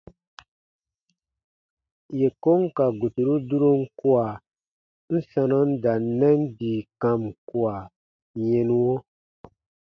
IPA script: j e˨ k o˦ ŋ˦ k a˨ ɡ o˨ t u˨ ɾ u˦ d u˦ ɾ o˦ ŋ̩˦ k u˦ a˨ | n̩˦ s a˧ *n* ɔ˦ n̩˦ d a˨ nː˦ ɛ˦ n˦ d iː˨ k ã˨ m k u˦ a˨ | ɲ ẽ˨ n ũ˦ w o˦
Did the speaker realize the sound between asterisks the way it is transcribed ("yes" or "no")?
yes